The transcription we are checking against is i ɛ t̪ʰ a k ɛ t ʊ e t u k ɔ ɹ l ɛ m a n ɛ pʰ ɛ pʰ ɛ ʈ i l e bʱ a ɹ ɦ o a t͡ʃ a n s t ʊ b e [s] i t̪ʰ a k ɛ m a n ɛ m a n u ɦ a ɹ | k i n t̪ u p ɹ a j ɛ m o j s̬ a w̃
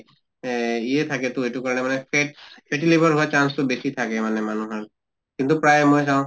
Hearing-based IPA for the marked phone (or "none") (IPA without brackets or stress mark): s